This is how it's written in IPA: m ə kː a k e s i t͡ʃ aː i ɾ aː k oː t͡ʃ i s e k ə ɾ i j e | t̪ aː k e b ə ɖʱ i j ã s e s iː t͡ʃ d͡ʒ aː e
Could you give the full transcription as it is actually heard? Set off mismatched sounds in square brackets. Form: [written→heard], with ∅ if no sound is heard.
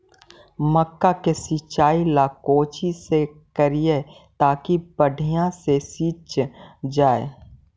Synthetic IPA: m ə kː a k e s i t͡ʃ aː i [ɾ→l] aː k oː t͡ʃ i s e k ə ɾ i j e | t̪ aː k [e→i] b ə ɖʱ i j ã s e s iː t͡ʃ d͡ʒ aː e